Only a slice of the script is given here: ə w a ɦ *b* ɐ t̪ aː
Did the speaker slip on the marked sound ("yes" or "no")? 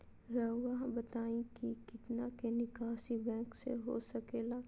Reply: no